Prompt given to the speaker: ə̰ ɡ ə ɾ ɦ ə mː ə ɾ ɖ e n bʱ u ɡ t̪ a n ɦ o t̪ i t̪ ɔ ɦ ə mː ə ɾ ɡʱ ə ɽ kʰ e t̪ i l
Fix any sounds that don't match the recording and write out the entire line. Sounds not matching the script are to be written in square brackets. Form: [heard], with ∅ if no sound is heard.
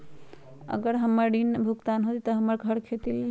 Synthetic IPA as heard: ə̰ ɡ ə ɾ ɦ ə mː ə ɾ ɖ [i] n bʱ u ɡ t̪ a n ɦ o t̪ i t̪ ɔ ɦ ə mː ə ɾ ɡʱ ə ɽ kʰ e t̪ i l